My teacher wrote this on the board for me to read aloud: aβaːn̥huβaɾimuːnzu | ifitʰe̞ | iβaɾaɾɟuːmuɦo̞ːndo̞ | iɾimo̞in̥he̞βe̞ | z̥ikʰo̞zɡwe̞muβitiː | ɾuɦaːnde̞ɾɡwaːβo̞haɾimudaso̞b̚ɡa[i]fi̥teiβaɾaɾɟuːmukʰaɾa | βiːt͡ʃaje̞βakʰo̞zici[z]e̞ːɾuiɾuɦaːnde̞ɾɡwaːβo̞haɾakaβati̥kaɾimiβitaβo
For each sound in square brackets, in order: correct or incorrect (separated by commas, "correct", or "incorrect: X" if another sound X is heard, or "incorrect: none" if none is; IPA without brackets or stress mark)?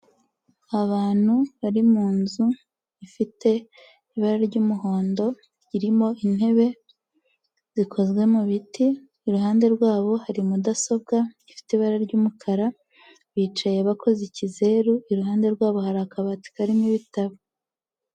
correct, correct